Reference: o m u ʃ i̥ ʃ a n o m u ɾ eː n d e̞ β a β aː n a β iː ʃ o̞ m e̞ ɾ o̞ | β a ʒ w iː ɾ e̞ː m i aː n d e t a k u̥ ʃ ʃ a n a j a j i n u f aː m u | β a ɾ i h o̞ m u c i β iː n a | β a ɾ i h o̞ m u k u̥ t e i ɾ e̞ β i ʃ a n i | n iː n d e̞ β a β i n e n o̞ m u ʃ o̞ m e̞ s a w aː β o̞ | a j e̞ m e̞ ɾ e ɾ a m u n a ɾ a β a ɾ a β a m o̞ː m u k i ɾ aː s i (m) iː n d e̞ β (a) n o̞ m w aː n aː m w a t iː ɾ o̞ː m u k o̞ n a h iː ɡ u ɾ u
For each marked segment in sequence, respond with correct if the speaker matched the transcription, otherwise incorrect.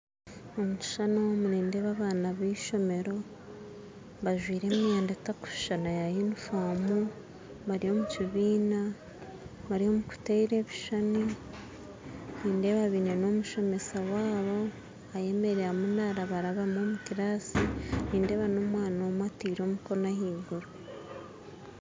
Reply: incorrect: n, correct

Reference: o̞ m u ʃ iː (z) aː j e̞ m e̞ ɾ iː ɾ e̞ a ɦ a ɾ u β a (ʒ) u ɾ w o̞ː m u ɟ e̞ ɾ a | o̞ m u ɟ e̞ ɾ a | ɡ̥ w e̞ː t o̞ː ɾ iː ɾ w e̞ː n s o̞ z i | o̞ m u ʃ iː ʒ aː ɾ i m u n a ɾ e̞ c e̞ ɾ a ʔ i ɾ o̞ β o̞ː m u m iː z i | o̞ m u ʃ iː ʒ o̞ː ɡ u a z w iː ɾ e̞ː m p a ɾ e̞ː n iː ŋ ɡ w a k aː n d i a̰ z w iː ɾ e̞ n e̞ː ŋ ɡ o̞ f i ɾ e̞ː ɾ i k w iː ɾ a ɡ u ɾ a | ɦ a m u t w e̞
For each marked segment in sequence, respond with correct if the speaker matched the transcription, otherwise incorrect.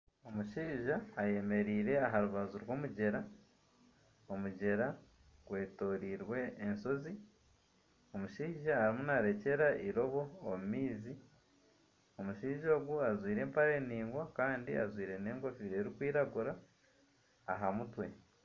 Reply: incorrect: ʒ, incorrect: z

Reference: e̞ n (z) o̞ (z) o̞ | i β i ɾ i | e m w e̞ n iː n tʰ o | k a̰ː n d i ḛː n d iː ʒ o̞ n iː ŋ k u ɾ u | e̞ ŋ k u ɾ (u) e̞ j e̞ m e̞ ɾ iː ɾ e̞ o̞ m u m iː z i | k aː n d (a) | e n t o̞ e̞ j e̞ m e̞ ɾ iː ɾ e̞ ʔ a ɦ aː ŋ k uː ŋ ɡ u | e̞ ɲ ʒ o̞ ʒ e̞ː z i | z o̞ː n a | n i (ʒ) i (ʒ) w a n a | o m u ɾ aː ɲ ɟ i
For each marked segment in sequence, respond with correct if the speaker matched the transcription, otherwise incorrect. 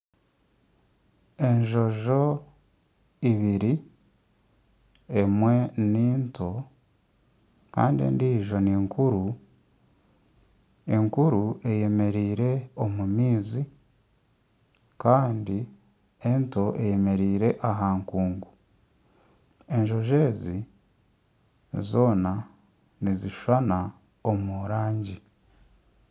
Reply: incorrect: ʒ, incorrect: ʒ, correct, incorrect: i, incorrect: z, incorrect: ʃ

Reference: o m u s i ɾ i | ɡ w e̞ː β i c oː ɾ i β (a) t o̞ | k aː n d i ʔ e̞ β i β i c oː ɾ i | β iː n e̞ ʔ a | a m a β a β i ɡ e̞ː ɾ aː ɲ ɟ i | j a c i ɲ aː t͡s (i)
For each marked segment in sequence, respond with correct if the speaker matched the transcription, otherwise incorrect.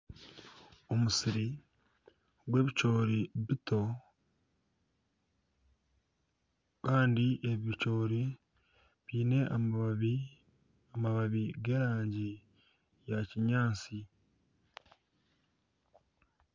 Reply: incorrect: i, correct

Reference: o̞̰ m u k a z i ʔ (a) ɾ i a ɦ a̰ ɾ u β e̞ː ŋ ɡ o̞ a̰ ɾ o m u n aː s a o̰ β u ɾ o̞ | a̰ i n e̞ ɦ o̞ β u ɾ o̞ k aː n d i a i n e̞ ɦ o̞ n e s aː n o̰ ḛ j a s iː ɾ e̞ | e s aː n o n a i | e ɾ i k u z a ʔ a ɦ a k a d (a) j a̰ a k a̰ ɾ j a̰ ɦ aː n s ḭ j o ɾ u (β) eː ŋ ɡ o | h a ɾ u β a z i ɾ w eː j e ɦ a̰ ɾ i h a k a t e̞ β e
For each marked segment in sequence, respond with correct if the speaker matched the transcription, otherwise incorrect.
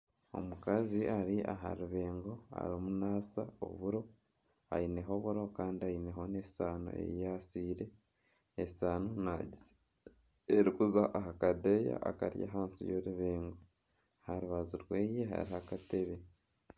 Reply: correct, incorrect: e, correct

